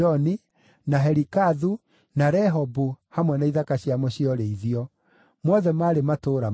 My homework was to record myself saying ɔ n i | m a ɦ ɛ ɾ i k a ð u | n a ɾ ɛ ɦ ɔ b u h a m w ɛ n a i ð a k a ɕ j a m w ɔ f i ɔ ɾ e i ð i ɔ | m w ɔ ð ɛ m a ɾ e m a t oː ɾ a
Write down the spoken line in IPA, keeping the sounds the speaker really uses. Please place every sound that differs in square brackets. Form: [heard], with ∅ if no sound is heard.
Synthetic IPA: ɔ n i | [n] a ɦ ɛ ɾ i k a ð u | n a ɾ ɛ ɦ ɔ b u h a m w ɛ n a i ð a k a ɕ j a m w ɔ [ɕ] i ɔ ɾ e i ð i ɔ | m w ɔ ð ɛ m a ɾ e m a t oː ɾ a

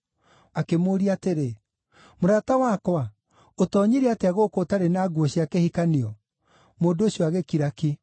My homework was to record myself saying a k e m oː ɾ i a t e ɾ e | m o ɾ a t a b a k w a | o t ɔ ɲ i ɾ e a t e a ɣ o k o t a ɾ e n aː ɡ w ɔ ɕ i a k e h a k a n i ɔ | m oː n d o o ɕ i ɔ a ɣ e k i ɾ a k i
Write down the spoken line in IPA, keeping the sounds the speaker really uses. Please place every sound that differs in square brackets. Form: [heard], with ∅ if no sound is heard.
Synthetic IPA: a k e m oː ɾ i a t e ɾ e | m o ɾ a t a [w] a k w a | o t ɔ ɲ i ɾ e a t e a ɣ o k o t a ɾ e n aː ɡ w ɔ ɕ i a k e h [i] k a n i ɔ | m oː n d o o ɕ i ɔ a ɣ e k i ɾ a k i

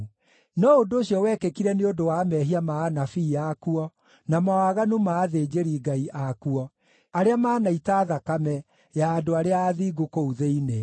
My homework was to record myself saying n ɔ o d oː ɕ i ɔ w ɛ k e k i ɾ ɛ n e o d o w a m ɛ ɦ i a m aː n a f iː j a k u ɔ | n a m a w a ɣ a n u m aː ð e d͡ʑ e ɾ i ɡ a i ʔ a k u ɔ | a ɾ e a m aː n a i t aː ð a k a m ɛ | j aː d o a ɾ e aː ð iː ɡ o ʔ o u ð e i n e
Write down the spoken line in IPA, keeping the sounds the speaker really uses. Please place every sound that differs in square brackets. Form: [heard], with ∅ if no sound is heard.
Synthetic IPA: n ɔ o d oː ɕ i ɔ w ɛ k e k i ɾ ɛ n e o d o w a m ɛ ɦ i a m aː n a f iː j a k u ɔ | n a m a w a ɣ a n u m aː ð e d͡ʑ e ɾ i ɡ a i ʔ a k u ɔ | a ɾ e a m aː n a i t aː ð a k a m ɛ | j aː d o a ɾ e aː ð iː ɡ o [k] o u ð e i n e

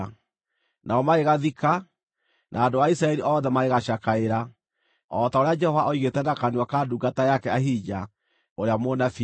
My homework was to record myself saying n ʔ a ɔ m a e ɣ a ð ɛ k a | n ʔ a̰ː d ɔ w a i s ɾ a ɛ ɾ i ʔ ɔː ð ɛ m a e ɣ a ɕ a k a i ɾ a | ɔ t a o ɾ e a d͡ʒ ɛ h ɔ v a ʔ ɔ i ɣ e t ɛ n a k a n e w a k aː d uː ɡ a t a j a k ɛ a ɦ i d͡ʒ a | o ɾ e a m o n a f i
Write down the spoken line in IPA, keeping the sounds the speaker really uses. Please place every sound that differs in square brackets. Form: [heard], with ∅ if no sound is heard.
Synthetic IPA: n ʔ a ɔ m a e ɣ a ð [i] k a | n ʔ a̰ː d [o] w a i s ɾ a ɛ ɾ i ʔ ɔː ð ɛ m a e ɣ a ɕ a k a [e] ɾ a | ɔ t a o ɾ e a d͡ʒ ɛ h ɔ v a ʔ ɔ i ɣ e t ɛ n a k a n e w a k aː d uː ɡ a t a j a k ɛ a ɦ i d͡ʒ a | o ɾ e a m o n a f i

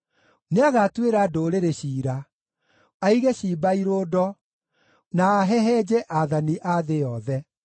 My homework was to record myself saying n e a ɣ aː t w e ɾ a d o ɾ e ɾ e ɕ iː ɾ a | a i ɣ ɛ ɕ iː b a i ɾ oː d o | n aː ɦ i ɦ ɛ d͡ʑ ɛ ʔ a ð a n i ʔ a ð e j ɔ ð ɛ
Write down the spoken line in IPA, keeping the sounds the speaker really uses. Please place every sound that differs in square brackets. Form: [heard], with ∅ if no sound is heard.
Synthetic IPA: n e a ɣ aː t w e ɾ a d o ɾ e ɾ e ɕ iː ɾ a | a i ɣ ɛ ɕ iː b a i ɾ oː d [ɔ] | n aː ɦ [ɛ] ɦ ɛ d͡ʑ ɛ ʔ a ð a n i ʔ a ð e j ɔ ð ɛ

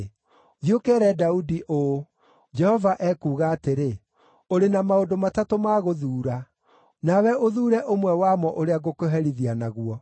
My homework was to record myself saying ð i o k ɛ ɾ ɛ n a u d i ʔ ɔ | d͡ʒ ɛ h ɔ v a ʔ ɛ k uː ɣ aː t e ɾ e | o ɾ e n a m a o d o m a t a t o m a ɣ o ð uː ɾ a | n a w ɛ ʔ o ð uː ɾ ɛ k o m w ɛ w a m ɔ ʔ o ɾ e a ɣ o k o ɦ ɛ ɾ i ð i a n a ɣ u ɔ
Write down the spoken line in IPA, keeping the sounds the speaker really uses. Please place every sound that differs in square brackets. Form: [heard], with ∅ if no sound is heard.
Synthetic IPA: ð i o k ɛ ɾ ɛ [d] a u d i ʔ [o] | d͡ʒ ɛ h ɔ v a ʔ ɛ k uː ɣ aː t e ɾ e | o ɾ e n a m a o d o m a t a t o m a ɣ o ð uː ɾ a | n a w ɛ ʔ o ð uː ɾ ɛ [ʔ] o m w ɛ w a m ɔ ʔ o ɾ e a ɣ o k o ɦ ɛ ɾ i ð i a n a ɣ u ɔ

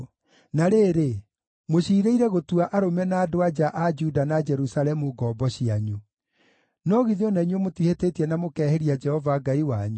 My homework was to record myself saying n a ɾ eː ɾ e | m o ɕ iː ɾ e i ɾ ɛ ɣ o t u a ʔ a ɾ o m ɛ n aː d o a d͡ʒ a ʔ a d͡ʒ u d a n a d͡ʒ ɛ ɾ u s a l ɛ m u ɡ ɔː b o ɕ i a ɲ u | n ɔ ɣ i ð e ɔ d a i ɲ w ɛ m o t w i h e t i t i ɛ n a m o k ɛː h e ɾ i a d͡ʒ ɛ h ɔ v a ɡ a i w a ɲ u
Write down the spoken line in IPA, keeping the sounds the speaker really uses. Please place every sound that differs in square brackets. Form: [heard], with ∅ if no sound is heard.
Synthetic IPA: n a ɾ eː ɾ e | m o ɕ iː ɾ e i ɾ ɛ ɣ o t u a ʔ a ɾ o m ɛ n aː d o a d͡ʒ a ʔ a d͡ʒ u d a n a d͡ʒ ɛ ɾ u s a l ɛ m u ɡ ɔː b [ɔ] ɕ i a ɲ u | n ɔ ɣ i ð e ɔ [n] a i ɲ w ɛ m o t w i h e t [e] t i ɛ n a m o k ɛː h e ɾ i a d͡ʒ ɛ h ɔ v a ɡ a i w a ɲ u

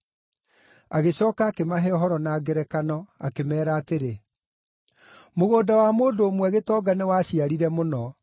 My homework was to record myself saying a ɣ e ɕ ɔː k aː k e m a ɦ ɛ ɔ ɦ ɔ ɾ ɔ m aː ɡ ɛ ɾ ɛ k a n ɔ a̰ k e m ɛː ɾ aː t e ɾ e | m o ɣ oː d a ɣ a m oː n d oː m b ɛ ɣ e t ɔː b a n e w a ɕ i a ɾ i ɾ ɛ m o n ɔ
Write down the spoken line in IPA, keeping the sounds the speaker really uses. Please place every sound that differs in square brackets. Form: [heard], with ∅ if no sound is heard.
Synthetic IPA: a ɣ e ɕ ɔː k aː k e m a ɦ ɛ ɔ ɦ ɔ ɾ ɔ [n] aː ɡ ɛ ɾ ɛ k a n ɔ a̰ k e m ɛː ɾ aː t e ɾ e | m o ɣ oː d a [w] a m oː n d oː m [w] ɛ ɣ e t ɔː [ɡ] a n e w a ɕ i a ɾ i ɾ ɛ m o n ɔ

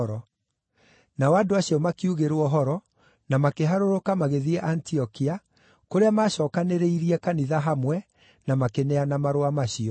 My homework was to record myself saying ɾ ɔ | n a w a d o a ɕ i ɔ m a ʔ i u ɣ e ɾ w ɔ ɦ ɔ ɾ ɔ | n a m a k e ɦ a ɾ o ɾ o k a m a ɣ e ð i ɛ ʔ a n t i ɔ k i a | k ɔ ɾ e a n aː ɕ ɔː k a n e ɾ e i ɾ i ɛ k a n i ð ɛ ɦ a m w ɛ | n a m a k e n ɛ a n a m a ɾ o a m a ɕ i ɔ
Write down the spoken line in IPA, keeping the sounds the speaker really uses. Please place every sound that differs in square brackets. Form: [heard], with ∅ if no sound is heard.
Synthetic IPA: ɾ ɔ | n a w a d o a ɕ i ɔ m a [k] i u ɣ e ɾ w ɔ ɦ ɔ ɾ ɔ | n a m a k e ɦ a ɾ o ɾ o k a m a ɣ e ð i ɛ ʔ a n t i ɔ k i a | k [o] ɾ e a [m] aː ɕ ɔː k a n e ɾ e i ɾ i ɛ k a n i ð [a] ɦ a m w ɛ | n a m a k e n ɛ a n a m a ɾ o a m a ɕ i ɔ

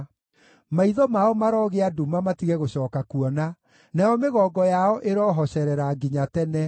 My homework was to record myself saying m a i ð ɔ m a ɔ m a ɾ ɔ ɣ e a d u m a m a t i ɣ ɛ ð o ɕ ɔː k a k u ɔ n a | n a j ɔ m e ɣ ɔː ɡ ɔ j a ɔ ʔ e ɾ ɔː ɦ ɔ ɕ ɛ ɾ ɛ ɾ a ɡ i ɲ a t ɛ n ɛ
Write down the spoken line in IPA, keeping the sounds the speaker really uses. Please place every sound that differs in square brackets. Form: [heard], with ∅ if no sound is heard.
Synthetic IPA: m a i ð ɔ m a ɔ m a ɾ ɔ ɣ e a d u m a m a t i ɣ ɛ [ɣ] o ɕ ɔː k a k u ɔ n a | n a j ɔ m e ɣ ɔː ɡ ɔ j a ɔ ʔ e ɾ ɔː ɦ ɔ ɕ ɛ ɾ ɛ ɾ a ɡ i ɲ a t ɛ n ɛ

